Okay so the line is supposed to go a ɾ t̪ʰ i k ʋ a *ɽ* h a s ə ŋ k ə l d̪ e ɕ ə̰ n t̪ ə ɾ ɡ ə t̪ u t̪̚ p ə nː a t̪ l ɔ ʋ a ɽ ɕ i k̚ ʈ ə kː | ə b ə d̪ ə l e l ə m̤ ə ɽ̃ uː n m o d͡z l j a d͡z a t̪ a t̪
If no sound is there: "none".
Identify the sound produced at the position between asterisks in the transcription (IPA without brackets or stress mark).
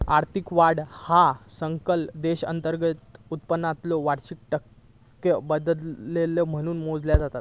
ɽ